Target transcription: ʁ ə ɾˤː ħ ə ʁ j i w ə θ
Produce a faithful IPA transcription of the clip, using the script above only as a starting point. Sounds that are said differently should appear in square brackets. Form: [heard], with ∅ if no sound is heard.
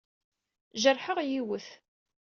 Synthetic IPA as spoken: [ʒ] ə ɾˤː ħ ə ʁ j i w ə θ